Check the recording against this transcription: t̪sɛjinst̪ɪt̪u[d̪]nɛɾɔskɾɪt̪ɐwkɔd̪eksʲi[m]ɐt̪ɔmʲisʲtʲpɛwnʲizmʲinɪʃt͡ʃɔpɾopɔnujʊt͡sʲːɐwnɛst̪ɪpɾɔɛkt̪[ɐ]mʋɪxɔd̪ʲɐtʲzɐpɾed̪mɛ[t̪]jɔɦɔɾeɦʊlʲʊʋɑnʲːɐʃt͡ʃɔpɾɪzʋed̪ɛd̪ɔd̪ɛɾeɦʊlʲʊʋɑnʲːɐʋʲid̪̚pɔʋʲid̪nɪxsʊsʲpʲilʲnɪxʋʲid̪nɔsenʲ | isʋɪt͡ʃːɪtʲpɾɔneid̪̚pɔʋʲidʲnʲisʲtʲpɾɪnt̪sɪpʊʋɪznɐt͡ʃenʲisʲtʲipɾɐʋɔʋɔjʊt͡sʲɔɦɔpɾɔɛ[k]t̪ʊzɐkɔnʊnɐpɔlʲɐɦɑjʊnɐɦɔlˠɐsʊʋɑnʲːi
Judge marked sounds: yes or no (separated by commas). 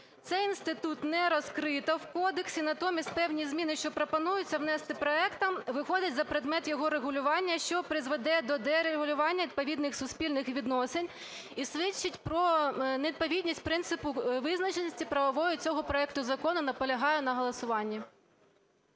no, no, yes, yes, yes